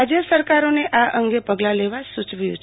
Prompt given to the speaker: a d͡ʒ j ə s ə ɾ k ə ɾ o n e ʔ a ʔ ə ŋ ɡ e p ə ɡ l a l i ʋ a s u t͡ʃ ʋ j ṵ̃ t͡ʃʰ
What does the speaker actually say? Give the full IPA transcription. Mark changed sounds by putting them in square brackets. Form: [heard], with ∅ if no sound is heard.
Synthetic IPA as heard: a d͡ʒ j ə s ə ɾ k [a] ɾ o n e ʔ a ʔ ə ŋ ɡ e p ə ɡ l a l [e] ʋ a s u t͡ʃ ʋ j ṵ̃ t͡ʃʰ